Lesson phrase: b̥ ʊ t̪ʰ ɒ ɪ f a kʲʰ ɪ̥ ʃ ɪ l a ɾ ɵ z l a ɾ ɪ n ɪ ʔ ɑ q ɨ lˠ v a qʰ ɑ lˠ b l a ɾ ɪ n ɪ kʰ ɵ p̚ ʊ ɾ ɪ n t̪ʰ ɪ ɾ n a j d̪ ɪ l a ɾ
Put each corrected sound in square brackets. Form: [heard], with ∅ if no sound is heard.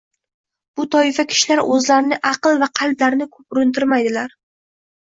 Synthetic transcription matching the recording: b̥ ʊ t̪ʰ ɒ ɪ f a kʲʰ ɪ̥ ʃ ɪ l a ɾ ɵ z l a ɾ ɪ n ɪ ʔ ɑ q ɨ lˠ v a qʰ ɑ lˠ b l a ɾ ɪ n ɪ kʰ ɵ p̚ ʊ ɾ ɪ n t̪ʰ ɪ ɾ [m] a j d̪ ɪ l a ɾ